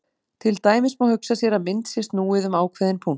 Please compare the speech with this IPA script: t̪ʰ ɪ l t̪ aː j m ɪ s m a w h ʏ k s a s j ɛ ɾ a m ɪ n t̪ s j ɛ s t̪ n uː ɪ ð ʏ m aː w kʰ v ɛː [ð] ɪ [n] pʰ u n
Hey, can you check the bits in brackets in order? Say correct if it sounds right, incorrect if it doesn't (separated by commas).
correct, correct